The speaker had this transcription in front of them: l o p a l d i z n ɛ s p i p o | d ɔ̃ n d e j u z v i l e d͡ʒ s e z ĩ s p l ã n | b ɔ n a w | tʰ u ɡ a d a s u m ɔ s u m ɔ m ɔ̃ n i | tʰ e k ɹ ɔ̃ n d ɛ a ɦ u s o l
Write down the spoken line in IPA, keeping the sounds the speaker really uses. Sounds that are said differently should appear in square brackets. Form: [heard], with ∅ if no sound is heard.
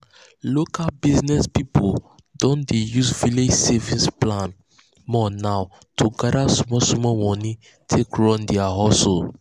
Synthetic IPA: l o [k] a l [b] i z n ɛ s p i p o | d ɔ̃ n d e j u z v i l e d͡ʒ s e [v] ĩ s p l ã n | [m] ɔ n a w | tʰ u ɡ a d a s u m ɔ s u m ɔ m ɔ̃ n i | tʰ e k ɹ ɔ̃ n d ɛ a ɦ [ɔ] s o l